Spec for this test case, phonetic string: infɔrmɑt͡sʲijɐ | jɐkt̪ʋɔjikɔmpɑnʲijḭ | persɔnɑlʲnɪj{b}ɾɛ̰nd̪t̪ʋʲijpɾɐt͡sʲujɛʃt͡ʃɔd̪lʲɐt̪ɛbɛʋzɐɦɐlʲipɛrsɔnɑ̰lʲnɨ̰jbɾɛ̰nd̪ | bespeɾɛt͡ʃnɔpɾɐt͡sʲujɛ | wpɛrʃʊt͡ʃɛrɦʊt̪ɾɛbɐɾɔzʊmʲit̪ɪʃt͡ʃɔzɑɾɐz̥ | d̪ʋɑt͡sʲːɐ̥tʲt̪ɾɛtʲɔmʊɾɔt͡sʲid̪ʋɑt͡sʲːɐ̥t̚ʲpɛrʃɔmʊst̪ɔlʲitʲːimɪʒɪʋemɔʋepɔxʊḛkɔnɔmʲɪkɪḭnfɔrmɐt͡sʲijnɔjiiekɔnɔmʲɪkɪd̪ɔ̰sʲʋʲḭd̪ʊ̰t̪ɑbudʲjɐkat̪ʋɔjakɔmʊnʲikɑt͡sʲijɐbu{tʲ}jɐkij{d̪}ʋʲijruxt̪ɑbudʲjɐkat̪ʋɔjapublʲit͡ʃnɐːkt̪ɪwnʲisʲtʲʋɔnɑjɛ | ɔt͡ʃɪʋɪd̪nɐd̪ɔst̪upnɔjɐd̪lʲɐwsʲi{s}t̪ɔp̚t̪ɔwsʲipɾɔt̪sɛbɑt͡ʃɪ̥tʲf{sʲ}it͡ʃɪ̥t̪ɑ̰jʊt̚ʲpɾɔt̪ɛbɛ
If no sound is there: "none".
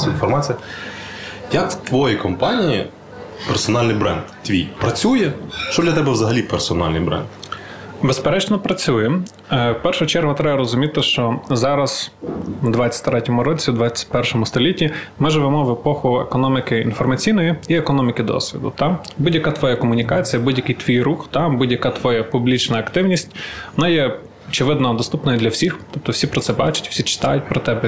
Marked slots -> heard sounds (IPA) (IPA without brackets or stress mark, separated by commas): b, dʲ, t̪, x, sʲ